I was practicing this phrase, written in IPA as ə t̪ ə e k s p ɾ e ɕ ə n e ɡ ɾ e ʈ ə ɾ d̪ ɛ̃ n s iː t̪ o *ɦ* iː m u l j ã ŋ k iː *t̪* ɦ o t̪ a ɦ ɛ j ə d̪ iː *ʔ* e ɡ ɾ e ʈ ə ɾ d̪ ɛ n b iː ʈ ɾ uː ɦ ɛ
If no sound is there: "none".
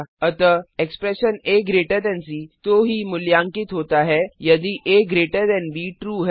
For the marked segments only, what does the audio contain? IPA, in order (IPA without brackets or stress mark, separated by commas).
ɦ, t̪, ʔ